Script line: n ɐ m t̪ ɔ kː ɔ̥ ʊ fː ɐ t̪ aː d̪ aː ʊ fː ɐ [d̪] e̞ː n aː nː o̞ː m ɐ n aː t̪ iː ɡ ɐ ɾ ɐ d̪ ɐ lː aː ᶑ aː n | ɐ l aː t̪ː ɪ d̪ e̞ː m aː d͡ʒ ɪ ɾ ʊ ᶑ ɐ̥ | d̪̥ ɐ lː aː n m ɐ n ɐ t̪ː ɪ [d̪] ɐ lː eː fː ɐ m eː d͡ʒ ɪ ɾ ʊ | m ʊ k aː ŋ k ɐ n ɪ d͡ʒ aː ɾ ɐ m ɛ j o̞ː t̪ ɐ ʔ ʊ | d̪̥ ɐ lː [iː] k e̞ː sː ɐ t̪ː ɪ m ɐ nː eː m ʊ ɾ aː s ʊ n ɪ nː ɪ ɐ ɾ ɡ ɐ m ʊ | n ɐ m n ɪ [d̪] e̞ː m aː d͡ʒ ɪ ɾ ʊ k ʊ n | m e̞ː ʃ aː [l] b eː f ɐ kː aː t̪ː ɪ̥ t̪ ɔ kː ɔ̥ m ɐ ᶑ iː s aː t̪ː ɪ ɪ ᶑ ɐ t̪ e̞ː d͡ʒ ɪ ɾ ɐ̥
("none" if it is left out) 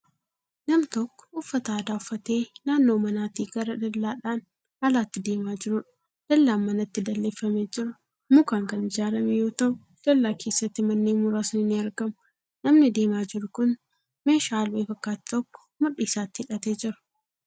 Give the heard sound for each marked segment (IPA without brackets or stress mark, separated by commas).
t̪, d̪, aː, d̪, l